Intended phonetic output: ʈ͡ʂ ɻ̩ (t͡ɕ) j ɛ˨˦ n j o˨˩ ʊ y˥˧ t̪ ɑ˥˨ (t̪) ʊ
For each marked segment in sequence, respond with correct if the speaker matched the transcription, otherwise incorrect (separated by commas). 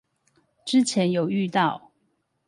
incorrect, incorrect